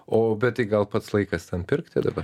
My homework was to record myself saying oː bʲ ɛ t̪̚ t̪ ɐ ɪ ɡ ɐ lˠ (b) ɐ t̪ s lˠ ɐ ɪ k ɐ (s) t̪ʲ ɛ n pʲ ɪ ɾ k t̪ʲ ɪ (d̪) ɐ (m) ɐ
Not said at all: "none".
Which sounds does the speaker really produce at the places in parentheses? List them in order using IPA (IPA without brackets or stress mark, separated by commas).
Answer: p, s, d̪, b